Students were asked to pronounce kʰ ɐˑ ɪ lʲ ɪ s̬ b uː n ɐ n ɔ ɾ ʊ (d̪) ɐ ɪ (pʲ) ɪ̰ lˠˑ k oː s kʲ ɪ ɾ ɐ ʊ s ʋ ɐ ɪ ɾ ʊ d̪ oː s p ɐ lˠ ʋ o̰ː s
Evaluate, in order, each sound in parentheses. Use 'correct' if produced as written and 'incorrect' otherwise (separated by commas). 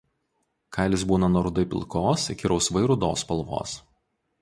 correct, correct